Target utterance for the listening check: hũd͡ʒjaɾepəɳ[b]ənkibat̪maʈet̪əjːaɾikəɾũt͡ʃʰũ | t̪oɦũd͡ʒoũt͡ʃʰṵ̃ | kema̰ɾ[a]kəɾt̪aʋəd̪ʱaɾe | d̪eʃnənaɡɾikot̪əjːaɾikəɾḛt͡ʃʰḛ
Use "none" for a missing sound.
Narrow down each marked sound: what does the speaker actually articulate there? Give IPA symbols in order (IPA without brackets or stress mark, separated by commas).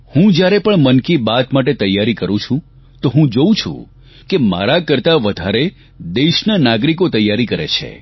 m, a